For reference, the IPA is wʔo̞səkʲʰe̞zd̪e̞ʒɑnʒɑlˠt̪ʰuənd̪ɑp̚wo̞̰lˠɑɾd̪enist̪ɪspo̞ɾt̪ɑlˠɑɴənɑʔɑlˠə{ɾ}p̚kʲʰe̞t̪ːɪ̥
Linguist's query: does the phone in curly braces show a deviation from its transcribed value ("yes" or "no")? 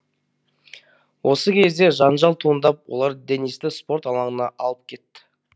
yes